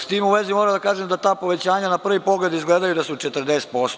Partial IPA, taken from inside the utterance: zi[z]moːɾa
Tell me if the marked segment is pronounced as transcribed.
no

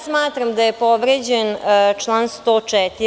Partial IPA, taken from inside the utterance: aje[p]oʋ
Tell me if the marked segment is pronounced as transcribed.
yes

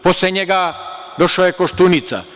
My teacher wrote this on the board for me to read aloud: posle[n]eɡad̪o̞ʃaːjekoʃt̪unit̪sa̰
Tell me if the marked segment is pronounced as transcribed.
no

